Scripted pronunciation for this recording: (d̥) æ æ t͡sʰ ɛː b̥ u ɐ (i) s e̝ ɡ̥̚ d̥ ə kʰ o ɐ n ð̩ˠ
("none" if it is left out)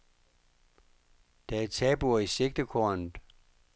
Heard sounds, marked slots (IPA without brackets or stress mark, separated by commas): d̥, i